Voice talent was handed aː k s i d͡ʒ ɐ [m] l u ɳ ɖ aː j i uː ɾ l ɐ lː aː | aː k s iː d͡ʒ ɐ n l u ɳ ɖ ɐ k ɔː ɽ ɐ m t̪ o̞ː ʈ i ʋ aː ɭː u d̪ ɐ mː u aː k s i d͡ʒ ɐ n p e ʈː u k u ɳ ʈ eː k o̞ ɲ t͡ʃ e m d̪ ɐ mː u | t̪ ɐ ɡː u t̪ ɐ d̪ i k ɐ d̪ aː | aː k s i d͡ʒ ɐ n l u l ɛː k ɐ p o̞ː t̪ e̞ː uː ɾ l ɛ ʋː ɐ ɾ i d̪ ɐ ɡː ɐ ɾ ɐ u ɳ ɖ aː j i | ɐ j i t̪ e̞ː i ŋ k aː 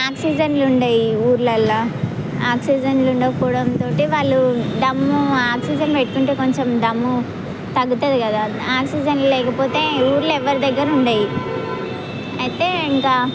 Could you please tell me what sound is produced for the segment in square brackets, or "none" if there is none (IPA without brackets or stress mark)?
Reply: n